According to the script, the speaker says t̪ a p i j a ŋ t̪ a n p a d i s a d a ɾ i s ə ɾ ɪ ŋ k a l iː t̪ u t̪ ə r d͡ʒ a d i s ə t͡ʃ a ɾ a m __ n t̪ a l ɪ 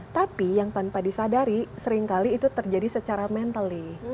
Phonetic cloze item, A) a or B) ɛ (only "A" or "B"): B